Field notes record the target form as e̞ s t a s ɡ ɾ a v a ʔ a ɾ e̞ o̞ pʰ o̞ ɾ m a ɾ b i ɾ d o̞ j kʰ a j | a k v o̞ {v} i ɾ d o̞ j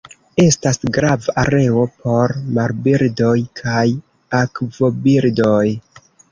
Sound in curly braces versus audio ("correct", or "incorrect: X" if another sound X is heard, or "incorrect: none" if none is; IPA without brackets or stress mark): incorrect: b